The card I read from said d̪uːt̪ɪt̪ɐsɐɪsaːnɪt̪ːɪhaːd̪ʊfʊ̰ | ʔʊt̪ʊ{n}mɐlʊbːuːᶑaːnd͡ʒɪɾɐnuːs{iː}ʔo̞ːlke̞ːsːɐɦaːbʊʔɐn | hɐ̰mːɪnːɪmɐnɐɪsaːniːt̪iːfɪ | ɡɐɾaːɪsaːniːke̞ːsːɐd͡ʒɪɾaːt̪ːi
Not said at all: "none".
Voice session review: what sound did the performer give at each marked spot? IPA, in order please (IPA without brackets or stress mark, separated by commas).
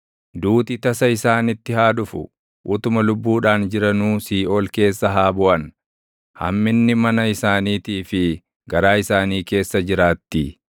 none, iː